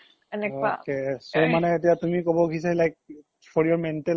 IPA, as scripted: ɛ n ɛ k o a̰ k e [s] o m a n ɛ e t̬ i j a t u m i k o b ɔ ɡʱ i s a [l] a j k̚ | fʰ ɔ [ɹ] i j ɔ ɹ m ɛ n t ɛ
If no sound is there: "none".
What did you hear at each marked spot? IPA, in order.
s, l, ɹ

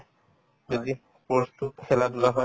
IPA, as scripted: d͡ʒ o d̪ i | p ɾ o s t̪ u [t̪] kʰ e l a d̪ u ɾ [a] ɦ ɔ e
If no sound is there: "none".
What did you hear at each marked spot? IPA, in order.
t̪, a

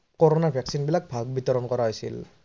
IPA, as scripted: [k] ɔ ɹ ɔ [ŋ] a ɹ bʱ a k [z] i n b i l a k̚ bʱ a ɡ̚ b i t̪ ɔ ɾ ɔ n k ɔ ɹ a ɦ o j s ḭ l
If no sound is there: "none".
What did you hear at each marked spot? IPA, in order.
k, n, s

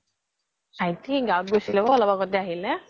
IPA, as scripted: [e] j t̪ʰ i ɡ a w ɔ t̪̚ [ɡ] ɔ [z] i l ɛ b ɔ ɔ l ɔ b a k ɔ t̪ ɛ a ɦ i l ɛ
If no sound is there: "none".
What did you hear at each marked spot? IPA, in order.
a, ɡ, s

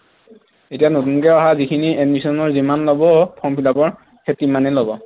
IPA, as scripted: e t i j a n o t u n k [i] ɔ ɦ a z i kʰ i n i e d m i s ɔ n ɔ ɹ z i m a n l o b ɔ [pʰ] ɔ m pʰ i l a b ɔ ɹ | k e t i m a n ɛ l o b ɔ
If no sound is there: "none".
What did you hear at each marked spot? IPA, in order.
ɛ, pʰ

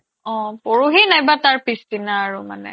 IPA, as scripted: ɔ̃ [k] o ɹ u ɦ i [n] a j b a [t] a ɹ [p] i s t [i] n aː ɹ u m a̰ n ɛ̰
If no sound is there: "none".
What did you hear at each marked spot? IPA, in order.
p, n, t, p, i

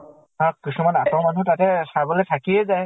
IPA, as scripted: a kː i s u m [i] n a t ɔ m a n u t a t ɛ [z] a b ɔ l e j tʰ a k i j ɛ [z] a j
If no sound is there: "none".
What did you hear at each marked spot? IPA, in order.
a, s, z

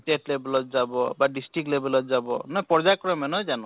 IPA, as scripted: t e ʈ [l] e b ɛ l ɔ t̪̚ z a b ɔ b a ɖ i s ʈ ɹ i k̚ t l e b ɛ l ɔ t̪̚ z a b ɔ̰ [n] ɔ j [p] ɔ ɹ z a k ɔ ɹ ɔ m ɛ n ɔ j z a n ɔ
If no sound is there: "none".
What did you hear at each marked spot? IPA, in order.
l, n, p

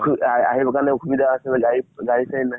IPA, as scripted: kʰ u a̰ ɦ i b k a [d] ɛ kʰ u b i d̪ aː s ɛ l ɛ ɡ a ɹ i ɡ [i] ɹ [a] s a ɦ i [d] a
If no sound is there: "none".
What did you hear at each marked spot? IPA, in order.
n, a, i, n

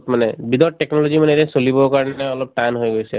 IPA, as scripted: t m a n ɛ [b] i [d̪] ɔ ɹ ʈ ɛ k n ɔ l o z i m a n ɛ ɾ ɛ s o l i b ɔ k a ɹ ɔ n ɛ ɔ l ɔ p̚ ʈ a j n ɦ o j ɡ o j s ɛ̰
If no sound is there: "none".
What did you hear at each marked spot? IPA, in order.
b, d̪

